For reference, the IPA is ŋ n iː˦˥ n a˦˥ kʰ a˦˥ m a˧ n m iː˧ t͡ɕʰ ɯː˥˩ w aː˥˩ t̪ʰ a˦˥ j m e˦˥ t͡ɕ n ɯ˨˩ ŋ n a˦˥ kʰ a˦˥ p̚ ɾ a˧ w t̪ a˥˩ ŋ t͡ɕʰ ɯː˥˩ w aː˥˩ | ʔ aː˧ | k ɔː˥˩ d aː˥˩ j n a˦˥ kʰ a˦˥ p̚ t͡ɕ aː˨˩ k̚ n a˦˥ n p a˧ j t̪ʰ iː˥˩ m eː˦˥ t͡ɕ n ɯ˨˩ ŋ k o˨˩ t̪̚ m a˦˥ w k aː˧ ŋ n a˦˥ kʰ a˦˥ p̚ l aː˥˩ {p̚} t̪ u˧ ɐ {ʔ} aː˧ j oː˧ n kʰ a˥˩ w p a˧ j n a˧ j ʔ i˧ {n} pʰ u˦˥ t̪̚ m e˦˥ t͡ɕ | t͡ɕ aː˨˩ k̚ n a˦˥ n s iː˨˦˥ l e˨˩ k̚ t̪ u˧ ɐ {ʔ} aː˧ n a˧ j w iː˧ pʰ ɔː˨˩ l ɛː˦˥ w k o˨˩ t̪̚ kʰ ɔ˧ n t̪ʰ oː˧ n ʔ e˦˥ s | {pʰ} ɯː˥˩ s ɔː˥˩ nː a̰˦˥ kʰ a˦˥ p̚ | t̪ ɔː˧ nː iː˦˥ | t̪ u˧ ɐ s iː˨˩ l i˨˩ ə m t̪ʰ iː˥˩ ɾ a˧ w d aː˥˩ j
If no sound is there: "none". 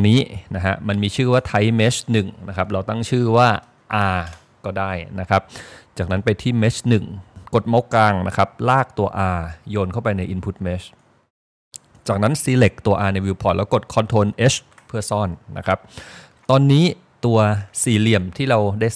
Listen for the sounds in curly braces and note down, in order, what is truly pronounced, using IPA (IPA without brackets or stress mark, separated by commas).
k̚, ʔ, n, ʔ, pʰ